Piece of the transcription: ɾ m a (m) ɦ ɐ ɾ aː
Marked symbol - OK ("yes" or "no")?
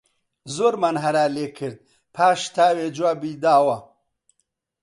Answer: no